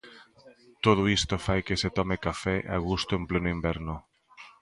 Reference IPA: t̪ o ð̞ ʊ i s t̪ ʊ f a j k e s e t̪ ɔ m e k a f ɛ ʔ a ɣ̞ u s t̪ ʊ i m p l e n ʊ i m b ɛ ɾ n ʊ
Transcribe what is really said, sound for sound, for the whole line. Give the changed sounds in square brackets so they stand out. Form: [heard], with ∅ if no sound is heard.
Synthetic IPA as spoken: t̪ o ð̞ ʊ i s t̪ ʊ f a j k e s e t̪ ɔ m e k a f ɛ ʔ a ɣ̞ u s t̪ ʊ [e] m p l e n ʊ i m b ɛ ɾ n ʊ